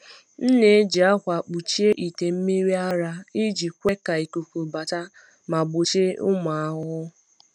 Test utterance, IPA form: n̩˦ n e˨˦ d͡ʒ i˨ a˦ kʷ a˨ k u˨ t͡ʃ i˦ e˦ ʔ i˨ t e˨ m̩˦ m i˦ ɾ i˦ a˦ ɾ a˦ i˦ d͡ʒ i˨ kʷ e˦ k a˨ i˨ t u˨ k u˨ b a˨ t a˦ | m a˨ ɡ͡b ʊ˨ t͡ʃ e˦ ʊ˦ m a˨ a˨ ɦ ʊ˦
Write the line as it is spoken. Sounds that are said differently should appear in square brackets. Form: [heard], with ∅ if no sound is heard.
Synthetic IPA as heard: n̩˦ n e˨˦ d͡ʒ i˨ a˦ kʷ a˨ [k͡p] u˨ t͡ʃ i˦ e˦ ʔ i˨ t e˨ m̩˦ m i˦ ɾ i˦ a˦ ɾ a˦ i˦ d͡ʒ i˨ kʷ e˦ k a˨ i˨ [k] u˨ k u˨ b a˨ t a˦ | m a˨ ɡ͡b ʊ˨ t͡ʃ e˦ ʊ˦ m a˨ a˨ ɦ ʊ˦

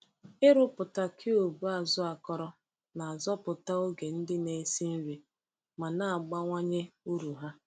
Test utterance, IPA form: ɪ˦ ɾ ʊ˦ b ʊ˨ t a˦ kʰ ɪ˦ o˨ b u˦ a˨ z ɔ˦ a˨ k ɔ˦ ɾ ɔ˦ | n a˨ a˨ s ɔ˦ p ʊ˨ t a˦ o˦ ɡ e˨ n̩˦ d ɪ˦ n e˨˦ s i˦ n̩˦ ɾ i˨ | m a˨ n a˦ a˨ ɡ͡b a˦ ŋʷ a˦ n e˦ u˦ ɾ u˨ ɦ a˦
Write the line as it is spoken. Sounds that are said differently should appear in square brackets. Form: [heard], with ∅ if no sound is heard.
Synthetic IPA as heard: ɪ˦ ɾ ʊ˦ [p] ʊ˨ t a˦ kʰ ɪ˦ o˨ b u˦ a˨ z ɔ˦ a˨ k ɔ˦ ɾ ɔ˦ | n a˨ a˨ [z] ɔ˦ p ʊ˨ t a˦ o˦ ɡ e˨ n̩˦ d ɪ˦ n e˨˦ s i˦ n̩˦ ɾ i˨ | m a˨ n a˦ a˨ ɡ͡b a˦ ŋʷ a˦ [ɲ] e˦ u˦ ɾ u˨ ɦ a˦

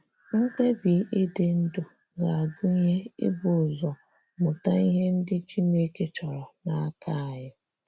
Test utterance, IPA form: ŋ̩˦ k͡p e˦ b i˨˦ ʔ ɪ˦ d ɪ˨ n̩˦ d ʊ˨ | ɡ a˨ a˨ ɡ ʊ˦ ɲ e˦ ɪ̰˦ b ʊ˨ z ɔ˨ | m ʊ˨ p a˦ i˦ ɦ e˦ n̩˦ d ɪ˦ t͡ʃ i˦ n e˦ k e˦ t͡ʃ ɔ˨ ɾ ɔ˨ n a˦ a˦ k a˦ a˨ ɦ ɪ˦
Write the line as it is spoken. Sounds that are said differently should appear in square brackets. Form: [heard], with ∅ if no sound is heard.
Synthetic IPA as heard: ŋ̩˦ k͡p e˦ b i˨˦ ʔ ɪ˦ d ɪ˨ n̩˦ d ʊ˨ | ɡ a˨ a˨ ɡ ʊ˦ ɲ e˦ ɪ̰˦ b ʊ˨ z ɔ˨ | m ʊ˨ [t] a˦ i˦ ɦ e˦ n̩˦ d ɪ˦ t͡ʃ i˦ n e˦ k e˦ t͡ʃ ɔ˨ ɾ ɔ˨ n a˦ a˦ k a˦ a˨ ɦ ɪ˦

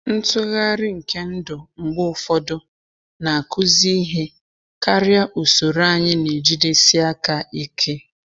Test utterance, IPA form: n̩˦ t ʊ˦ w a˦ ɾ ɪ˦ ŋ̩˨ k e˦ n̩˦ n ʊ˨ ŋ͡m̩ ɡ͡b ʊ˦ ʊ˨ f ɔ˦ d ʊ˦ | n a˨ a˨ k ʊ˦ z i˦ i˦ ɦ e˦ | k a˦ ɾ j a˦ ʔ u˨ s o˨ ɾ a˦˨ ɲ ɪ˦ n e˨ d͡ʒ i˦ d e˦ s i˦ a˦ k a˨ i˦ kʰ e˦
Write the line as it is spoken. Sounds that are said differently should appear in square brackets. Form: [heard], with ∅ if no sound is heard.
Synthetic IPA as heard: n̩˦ t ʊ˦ [ɣ] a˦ ɾ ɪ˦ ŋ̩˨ k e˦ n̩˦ [d] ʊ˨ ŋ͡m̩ ɡ͡b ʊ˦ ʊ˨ f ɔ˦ d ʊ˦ | n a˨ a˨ k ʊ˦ z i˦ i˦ ɦ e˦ | k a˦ ɾ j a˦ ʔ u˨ s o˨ ɾ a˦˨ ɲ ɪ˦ n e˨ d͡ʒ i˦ d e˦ s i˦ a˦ k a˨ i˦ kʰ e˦

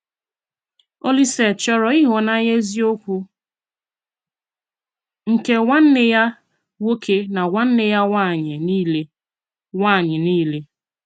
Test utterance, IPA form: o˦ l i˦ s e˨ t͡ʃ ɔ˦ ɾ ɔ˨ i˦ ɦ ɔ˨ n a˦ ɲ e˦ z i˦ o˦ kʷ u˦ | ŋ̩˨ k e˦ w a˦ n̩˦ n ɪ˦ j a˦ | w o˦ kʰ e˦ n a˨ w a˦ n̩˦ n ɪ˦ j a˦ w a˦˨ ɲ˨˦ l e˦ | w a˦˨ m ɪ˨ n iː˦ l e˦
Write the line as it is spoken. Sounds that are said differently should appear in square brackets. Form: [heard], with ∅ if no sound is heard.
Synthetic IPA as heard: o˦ l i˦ s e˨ t͡ʃ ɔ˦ ɾ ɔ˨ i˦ ɦ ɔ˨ n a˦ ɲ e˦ z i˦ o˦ kʷ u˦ | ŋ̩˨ k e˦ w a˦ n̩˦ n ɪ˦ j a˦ | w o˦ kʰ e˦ n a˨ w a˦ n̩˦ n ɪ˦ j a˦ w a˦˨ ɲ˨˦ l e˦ | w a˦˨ [ɲ] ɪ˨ n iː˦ l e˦

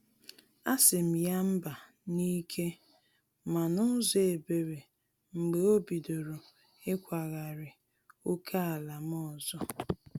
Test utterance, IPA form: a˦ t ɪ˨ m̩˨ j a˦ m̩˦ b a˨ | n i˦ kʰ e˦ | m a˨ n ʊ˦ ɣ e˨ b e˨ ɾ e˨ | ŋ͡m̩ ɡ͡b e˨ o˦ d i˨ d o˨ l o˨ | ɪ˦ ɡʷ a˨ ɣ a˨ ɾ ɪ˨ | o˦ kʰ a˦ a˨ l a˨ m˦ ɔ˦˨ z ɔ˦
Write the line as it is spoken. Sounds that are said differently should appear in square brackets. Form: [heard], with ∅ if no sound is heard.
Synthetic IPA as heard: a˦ [s] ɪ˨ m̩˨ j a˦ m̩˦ b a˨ | n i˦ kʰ e˦ | m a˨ n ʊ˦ [z] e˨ b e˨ ɾ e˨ | ŋ͡m̩ ɡ͡b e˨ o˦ [b] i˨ d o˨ [ɾ] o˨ | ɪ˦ [kʷ] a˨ ɣ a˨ ɾ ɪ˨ | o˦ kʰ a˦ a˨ l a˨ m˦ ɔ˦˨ z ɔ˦

